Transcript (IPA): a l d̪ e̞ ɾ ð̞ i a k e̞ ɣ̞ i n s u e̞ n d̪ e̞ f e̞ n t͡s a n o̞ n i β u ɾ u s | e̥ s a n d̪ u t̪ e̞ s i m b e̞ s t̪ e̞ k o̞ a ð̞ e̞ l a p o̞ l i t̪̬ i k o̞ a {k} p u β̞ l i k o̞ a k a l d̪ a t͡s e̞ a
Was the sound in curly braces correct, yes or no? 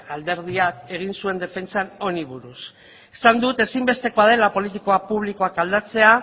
no